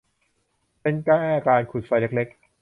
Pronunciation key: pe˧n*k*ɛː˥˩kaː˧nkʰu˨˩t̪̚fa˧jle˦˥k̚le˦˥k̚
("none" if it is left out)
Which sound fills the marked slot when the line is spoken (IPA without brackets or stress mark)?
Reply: k